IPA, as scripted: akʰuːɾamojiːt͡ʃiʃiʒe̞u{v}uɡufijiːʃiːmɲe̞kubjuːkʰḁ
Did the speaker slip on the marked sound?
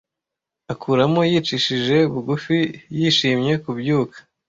yes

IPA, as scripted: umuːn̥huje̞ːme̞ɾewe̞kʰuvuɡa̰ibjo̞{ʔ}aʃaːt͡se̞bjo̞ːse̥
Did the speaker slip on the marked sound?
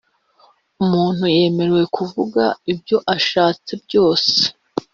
no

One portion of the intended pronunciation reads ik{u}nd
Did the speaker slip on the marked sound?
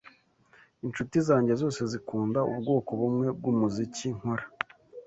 yes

